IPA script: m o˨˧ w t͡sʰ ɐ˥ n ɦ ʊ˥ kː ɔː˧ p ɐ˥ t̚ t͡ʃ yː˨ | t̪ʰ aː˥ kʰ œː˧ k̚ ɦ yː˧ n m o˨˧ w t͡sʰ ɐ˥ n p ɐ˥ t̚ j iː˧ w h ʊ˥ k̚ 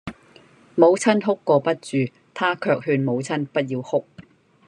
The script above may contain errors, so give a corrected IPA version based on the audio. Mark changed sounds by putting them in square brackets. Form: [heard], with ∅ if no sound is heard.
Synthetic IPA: m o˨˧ w t͡sʰ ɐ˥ n ɦ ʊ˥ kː ɔː˧ p ɐ˥ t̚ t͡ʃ yː˨ | t̪ʰ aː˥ kʰ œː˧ k̚ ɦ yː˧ n m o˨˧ w t͡sʰ ɐ˥ n p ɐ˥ t̚ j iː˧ w h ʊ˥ k̚